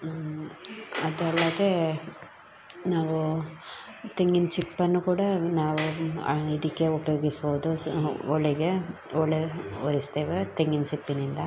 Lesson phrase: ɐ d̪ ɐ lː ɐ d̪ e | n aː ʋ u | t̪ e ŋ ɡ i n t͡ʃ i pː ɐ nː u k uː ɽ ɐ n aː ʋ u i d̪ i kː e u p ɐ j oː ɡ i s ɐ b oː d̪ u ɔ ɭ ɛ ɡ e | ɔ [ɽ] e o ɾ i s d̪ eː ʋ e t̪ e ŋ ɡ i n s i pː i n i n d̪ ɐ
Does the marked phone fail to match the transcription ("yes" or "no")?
yes